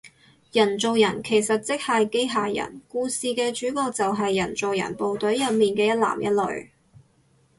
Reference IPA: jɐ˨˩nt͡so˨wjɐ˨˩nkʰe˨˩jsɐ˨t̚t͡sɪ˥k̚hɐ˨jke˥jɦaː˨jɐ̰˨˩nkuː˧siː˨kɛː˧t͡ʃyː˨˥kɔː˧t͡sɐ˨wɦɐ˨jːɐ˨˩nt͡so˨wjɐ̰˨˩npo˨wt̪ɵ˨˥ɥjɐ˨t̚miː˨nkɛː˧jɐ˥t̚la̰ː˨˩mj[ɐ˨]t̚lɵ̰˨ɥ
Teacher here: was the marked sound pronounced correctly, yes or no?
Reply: no